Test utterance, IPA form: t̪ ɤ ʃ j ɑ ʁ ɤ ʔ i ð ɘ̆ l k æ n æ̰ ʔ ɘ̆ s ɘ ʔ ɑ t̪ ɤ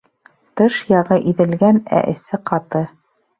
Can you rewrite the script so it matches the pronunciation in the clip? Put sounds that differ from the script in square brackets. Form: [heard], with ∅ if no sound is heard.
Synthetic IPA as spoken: t̪ ɤ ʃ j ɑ ʁ ɤ ʔ i ð ɘ̆ l [ɡ] æ n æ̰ ʔ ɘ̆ s ɘ [q] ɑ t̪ ɤ